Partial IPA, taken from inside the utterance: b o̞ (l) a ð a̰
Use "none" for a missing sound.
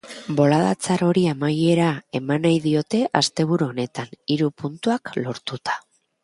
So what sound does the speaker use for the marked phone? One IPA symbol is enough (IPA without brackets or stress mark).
l